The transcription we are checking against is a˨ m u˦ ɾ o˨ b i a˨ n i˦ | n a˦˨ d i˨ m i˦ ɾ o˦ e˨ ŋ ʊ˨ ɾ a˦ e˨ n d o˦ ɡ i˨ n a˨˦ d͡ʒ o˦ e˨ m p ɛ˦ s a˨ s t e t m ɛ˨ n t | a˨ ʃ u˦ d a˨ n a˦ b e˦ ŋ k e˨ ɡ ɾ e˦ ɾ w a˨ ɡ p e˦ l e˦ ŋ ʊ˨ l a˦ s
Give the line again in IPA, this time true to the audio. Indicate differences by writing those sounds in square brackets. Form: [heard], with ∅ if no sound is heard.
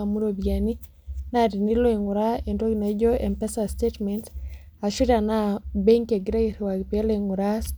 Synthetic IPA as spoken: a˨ m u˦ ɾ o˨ b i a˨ n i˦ | n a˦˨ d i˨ [n] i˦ [l] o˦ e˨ ŋ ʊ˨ ɾ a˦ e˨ n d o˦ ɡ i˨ n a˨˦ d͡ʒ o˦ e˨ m p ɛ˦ s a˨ s t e t m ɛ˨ n t | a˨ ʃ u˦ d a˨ n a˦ b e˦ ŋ k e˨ ɡ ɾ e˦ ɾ w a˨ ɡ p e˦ l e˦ ŋ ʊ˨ [ɾ] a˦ s